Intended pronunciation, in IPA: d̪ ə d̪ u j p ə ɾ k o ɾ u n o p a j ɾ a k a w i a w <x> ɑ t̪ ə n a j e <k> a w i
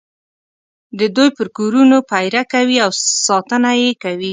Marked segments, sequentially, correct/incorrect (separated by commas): incorrect, correct